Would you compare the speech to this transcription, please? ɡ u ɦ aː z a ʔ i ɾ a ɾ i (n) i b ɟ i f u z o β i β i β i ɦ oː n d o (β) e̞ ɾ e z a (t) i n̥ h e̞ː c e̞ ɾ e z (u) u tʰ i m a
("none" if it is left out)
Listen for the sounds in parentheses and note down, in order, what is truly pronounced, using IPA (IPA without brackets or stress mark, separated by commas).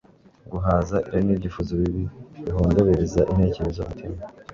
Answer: n, β, ʔ, o